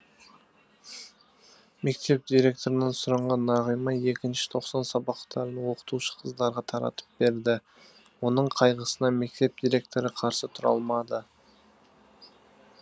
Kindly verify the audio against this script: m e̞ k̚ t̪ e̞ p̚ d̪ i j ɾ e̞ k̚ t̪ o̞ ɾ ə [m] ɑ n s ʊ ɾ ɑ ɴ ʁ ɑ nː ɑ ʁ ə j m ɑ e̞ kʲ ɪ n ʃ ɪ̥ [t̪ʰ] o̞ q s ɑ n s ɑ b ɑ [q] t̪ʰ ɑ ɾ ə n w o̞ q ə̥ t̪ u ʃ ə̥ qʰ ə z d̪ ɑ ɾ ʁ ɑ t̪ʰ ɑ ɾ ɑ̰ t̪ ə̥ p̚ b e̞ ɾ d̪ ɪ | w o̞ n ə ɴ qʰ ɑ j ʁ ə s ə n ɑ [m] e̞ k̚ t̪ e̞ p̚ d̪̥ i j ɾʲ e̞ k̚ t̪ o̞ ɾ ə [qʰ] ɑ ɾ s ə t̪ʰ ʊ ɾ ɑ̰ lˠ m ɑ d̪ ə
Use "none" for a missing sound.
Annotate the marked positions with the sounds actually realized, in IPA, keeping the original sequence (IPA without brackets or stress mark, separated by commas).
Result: n, t̪ʰ, q, m, qʰ